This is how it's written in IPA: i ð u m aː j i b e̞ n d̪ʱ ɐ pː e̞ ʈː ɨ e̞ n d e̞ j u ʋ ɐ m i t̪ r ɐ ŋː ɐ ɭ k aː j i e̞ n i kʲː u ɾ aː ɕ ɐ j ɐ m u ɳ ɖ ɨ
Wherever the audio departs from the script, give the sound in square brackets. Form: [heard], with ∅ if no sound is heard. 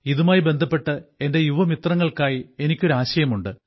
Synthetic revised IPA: i ð u m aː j i b e̞ n d̪ʱ ɐ pː e̞ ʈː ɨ e̞ n d e̞ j u ʋ ɐ m i t̪ r ɐ ŋː ɐ ɭ k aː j i e̞ n i kʲː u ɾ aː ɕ ɐ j ɐ m u ɳ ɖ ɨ